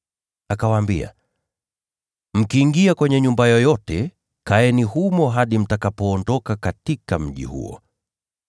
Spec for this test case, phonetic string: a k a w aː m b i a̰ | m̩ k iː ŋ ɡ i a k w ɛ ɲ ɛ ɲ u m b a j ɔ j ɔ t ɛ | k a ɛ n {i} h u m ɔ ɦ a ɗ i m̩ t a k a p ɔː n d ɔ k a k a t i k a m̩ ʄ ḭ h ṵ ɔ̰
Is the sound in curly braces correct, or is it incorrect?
correct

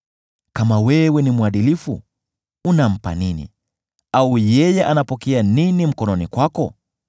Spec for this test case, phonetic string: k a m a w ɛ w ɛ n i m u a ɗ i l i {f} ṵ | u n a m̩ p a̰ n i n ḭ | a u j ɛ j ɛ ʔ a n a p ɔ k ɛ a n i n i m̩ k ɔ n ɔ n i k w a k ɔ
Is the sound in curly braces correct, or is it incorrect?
correct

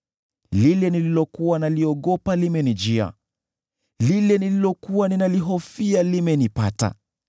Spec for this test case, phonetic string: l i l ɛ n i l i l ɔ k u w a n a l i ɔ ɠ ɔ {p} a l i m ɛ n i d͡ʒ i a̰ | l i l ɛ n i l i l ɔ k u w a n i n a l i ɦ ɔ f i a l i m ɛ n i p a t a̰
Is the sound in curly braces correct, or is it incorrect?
correct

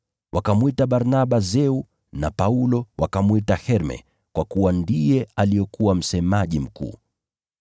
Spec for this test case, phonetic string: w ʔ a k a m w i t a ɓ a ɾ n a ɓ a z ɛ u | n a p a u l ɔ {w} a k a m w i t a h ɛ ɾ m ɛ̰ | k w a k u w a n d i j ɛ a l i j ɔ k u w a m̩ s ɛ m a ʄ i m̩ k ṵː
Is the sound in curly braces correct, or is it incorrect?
correct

